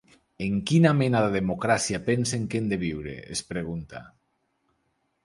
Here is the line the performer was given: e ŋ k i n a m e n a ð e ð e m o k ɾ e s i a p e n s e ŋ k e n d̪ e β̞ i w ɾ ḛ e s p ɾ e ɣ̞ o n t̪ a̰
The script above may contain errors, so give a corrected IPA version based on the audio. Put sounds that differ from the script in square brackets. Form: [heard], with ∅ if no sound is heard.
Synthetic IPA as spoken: e ŋ k i n a m e n a ð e ð e m o k ɾ [a] s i a p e n s e ŋ k e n d̪ e β̞ i w ɾ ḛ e s p ɾ e ɣ̞ [u] n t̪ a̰